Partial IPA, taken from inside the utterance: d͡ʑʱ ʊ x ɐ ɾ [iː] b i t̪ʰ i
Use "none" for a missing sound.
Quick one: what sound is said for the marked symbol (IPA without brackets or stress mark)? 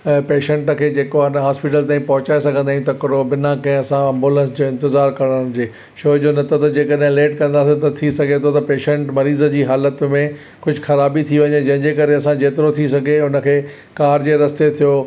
aː